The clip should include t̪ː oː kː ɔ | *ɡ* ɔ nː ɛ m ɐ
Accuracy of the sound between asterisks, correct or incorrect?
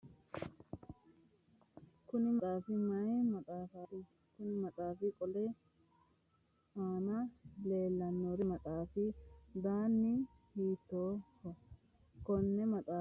incorrect